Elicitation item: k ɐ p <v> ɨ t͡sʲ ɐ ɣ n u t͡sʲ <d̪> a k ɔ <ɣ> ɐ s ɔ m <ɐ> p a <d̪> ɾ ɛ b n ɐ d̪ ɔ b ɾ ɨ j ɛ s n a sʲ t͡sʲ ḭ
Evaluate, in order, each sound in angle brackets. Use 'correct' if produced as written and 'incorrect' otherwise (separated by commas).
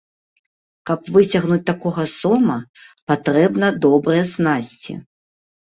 correct, incorrect, correct, correct, incorrect